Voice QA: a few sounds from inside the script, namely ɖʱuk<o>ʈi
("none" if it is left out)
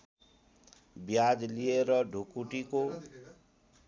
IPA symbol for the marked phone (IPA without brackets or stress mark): u